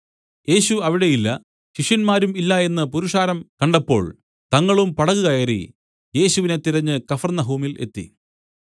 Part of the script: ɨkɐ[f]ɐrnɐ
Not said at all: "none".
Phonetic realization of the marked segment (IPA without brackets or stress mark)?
f